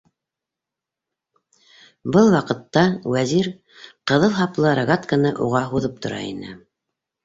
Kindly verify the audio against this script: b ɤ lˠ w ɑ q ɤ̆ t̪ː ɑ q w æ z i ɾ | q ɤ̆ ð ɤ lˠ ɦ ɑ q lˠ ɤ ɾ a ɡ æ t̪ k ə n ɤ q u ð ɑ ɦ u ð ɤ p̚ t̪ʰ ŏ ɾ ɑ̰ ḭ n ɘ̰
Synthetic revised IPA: b ɤ lˠ w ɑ q ɤ̆ t̪ː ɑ w æ z i ɾ | q ɤ̆ ð ɤ lˠ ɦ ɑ p lˠ ɤ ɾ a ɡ a t̪ k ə n ɤ ʔ u ʁ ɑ ɦ u ð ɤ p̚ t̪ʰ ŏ ɾ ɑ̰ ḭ n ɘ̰